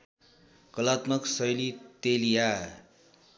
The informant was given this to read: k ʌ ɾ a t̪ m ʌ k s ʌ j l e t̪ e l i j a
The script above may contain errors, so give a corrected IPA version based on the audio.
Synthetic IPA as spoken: k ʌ l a t̪ m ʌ k s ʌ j l i t̪ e l i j a